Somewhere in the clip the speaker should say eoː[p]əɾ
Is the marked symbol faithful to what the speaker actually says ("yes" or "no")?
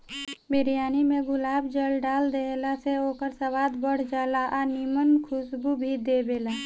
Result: no